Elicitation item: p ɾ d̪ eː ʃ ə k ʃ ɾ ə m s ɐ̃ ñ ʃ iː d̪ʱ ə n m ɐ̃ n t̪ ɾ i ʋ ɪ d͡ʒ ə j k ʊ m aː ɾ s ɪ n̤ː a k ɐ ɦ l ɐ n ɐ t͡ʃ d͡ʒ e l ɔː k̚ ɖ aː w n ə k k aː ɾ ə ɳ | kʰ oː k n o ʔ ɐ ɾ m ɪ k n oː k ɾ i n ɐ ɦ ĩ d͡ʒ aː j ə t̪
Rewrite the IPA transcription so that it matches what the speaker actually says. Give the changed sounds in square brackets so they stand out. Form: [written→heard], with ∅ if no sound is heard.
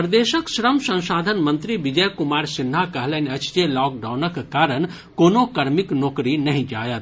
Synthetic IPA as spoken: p ɾ d̪ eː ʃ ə k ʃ ɾ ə m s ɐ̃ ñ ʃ [iː→aː] d̪ʱ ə n m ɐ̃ n t̪ ɾ i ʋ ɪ d͡ʒ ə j k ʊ m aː ɾ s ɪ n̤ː a k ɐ ɦ l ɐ n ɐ t͡ʃ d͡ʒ e l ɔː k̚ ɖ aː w n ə k k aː ɾ ə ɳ | [kʰ→k] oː [k→∅] n o [ʔ→k] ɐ ɾ m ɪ k n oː k ɾ i n ɐ ɦ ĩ d͡ʒ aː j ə t̪